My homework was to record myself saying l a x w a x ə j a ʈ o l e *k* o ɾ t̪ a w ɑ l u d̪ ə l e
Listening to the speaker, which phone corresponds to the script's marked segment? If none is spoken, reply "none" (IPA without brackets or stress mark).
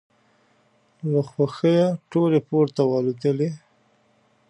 p